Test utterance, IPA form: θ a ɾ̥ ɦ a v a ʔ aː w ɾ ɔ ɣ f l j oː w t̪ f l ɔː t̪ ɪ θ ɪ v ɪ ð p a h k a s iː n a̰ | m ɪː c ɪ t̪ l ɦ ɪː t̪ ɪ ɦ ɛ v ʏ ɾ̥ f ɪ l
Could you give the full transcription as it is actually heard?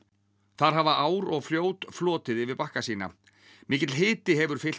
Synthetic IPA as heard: θ a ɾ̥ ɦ a v a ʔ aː w ɾ ɔ ɣ f l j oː w t̪ f l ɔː t̪ ɪ ð ɪ v ɪ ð p a h k a s iː n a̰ | m ɪː c ɪ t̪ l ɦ ɪː t̪ ɪ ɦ ɛ v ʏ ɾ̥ f ɪ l